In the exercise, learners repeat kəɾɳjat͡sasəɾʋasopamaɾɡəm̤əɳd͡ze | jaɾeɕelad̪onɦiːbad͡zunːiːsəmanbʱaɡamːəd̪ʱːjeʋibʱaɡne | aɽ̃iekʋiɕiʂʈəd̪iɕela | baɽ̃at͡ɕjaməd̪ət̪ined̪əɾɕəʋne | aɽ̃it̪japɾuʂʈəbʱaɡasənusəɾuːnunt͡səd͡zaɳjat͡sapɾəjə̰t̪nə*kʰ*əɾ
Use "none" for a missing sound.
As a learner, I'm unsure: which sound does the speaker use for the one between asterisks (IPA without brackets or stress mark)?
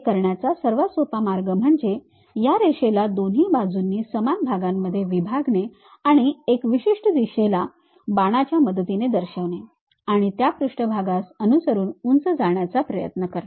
k